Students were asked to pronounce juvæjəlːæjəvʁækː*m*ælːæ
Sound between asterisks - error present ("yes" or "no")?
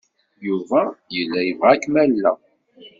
no